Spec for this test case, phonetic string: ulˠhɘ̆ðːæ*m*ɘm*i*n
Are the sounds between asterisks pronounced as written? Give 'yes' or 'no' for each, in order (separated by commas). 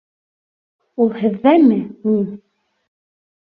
yes, yes